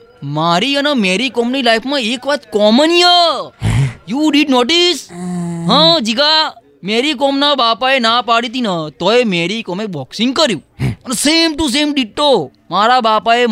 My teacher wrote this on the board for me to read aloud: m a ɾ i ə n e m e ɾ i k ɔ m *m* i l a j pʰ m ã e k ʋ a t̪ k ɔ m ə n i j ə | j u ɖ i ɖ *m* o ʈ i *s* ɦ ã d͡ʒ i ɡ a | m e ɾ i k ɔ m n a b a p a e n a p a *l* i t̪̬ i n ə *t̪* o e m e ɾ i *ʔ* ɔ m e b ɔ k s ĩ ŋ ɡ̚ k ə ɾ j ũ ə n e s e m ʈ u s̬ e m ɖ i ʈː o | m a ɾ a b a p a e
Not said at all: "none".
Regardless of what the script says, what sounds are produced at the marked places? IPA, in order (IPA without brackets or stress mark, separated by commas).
n, n, s, ɽ, t̪, k